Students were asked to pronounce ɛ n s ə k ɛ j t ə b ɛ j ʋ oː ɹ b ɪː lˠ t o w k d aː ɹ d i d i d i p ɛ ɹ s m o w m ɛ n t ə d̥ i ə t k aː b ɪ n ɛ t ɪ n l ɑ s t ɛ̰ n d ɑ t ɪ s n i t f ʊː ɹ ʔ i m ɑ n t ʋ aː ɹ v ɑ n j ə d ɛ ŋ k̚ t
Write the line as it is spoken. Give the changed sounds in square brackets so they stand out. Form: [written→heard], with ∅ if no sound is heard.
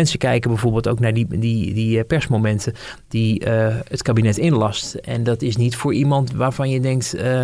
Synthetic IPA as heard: ɛ n s ə k ɛ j [t→k] ə b ɛ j [ʋ→v] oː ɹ b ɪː lˠ t o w k [d→n] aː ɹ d i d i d i p ɛ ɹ s m o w m ɛ n t ə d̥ i ə t k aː b [ɪ→i] n ɛ t ɪ n l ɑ s t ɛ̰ n d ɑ t ɪ s n i t f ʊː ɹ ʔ i m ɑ n t ʋ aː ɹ v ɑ n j ə d ɛ ŋ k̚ t